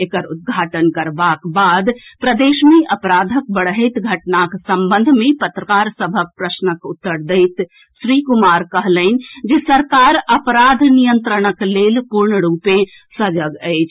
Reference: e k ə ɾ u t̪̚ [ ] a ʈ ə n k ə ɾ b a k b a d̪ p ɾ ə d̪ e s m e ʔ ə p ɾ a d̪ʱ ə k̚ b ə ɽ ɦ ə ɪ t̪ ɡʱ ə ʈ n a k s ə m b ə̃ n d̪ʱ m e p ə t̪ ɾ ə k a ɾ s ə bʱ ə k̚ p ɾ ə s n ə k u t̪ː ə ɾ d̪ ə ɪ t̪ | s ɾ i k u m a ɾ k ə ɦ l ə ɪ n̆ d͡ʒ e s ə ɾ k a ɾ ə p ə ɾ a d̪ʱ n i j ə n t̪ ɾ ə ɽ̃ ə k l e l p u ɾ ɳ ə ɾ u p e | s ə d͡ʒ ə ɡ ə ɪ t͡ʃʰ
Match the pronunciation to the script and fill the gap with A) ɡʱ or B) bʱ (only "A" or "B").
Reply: A